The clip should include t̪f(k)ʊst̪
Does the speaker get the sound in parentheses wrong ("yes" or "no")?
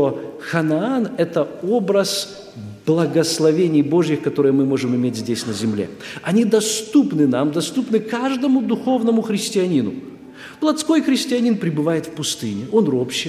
yes